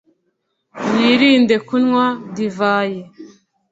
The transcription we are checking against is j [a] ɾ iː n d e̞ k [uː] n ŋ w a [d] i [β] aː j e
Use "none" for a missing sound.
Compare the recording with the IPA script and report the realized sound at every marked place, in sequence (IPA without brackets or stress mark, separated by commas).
i, u, d, v